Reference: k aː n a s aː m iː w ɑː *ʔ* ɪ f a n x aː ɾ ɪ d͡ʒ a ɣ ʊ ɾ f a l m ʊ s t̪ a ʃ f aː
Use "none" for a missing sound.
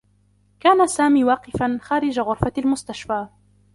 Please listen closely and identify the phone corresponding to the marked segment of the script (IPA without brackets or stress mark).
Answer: q